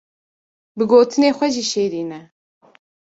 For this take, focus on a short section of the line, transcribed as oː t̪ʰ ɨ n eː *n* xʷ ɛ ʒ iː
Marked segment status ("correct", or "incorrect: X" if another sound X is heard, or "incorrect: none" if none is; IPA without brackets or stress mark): incorrect: none